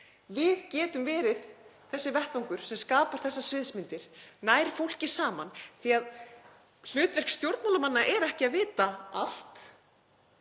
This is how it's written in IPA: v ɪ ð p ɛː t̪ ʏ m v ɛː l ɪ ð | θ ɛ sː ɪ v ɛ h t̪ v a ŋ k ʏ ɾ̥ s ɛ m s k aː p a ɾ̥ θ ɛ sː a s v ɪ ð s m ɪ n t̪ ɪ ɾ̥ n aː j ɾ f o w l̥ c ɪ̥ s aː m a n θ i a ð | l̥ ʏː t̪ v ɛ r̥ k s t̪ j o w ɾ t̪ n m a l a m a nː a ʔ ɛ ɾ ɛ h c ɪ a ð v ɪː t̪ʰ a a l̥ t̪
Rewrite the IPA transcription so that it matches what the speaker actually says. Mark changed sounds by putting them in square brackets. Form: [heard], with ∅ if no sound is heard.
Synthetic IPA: v ɪ ð [c] ɛː t̪ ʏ m v ɛː [ɾ] ɪ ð | θ ɛ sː ɪ v ɛ h t̪ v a ŋ k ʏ ɾ̥ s ɛ m s k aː p a ɾ̥ θ ɛ sː a s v ɪ ð s m ɪ n t̪ ɪ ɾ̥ n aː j ɾ f o w l̥ c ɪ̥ s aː m a n θ i a ð | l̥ ʏː t̪ v ɛ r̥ k s t̪ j o w ɾ t̪ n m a l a m a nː a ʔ ɛ ɾ ɛ h c ɪ a ð v ɪː [t̪] a a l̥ t̪